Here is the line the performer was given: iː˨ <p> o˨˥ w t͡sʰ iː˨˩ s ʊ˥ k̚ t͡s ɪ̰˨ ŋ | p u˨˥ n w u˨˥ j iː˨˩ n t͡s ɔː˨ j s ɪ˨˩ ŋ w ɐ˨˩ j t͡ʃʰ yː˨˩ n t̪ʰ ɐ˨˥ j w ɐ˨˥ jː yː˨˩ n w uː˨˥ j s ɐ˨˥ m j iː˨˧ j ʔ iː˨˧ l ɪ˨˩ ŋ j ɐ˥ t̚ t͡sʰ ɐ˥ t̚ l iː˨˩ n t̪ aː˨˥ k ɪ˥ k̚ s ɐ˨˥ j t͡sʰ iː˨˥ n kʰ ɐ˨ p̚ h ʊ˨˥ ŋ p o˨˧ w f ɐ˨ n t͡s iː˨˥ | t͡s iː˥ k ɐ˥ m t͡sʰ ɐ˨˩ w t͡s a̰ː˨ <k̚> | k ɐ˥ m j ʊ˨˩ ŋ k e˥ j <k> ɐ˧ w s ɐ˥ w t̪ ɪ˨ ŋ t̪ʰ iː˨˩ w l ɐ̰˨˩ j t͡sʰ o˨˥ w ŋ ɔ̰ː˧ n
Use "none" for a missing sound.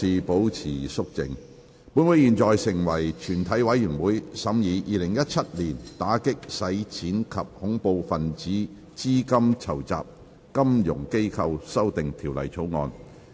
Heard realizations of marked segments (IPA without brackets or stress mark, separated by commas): p, p̚, kʰ